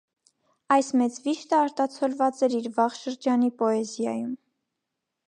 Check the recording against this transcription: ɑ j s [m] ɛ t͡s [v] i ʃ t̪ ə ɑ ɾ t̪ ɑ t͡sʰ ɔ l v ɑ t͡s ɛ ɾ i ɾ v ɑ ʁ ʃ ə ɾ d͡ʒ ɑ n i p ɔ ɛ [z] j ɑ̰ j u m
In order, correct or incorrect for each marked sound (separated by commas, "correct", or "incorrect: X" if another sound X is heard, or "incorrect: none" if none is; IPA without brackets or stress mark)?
correct, correct, correct